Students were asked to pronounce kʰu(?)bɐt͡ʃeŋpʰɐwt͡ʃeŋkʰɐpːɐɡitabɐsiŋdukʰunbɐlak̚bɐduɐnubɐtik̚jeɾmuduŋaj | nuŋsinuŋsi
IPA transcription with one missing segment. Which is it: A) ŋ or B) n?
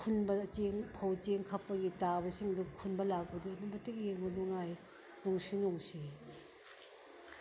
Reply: B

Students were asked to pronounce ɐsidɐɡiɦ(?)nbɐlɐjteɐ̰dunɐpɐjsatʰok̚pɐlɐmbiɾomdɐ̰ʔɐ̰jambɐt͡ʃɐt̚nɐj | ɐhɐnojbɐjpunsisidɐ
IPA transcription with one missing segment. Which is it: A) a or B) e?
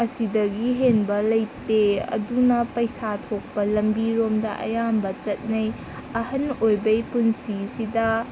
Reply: B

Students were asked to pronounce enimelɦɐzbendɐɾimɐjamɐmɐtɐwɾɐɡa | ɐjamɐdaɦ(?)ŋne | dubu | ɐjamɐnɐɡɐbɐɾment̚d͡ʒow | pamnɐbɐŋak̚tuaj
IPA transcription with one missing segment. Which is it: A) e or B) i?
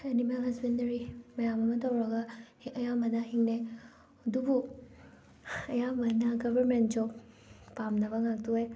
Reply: B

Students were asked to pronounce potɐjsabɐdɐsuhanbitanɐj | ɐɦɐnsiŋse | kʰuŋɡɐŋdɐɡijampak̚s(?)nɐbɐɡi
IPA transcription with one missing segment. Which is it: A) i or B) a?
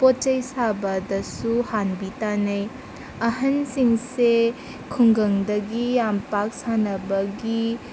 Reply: B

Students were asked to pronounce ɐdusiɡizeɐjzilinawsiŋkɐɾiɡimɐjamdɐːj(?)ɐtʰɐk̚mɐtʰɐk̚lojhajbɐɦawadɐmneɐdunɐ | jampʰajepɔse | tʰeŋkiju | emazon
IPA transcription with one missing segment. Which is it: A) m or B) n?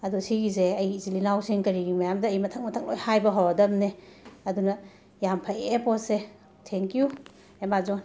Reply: A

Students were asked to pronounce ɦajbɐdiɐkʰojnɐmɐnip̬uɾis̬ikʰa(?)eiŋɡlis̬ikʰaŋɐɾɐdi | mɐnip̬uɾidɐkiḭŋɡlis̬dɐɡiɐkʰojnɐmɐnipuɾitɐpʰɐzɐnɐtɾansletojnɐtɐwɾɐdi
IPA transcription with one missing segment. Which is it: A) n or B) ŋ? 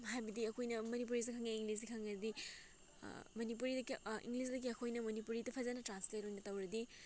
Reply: B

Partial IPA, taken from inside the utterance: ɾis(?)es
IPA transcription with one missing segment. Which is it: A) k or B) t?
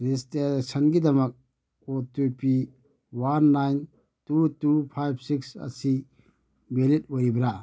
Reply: B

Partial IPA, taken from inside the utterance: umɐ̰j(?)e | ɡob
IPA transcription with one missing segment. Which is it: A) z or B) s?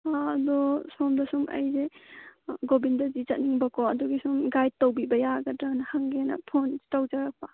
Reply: A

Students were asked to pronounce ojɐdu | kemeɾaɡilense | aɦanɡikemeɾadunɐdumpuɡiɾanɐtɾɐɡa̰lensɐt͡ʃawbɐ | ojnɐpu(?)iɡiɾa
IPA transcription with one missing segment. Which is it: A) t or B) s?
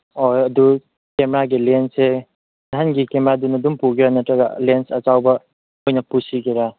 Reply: B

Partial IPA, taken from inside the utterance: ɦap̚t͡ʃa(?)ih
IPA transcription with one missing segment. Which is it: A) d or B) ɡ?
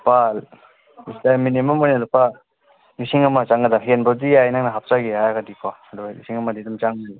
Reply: B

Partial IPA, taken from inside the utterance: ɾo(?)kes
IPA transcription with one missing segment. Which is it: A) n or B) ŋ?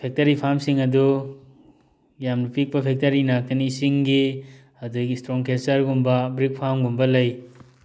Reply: B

